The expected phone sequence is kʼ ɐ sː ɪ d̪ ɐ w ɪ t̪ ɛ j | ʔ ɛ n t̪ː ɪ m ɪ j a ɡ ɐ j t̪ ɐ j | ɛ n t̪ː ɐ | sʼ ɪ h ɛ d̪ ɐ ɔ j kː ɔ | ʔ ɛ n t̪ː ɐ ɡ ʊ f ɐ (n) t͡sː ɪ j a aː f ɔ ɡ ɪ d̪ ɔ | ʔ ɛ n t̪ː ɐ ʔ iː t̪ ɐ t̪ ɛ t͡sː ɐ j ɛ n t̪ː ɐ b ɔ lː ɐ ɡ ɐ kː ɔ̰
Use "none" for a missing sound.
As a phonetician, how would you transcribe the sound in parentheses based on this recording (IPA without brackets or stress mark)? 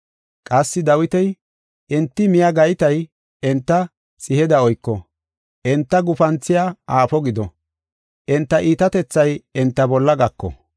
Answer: n